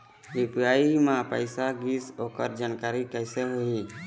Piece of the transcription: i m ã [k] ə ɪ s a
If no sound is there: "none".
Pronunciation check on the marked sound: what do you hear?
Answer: p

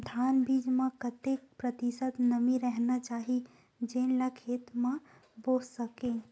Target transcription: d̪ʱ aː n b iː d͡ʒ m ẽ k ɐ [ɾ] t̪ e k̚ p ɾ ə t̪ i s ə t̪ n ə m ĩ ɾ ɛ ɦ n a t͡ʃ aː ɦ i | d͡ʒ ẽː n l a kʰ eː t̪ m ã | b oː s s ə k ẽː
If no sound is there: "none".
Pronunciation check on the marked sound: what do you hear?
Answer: none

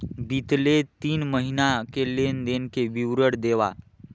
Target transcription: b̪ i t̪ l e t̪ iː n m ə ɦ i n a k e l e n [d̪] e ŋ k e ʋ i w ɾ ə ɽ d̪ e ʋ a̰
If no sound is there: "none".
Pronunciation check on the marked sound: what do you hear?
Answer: d̪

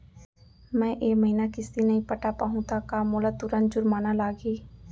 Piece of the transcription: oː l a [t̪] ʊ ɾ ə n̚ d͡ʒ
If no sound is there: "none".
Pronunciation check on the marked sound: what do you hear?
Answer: t̪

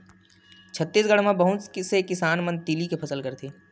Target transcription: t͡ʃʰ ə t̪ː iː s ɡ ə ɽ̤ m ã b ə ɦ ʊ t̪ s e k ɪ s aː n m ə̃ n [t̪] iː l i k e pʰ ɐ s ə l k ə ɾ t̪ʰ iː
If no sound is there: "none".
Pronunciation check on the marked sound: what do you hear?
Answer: t̪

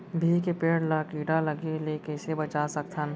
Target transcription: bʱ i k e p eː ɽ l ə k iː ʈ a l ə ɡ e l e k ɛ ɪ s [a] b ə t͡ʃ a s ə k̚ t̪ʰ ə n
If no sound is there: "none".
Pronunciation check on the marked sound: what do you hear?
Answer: e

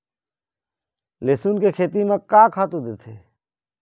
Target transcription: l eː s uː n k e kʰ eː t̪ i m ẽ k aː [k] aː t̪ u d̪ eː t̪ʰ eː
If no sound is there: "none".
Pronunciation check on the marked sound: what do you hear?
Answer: kʰ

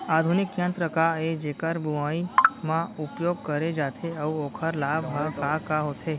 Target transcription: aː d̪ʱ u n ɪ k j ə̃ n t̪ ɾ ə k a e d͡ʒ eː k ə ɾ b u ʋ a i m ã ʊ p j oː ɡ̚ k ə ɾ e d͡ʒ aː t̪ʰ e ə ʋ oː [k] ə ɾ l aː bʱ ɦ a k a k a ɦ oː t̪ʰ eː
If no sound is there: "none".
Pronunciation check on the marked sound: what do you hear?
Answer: kʰ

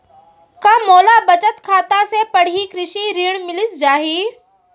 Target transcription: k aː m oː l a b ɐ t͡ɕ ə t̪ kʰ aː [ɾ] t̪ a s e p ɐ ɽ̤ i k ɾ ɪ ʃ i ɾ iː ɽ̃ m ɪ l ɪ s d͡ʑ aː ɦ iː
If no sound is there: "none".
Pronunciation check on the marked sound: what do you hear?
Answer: none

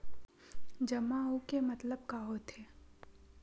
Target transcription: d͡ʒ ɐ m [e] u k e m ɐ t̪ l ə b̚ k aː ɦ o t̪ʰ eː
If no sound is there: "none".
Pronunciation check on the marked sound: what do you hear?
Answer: a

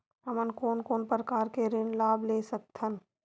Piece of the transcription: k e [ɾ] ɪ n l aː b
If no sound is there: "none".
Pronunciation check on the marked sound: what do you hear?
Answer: ɾ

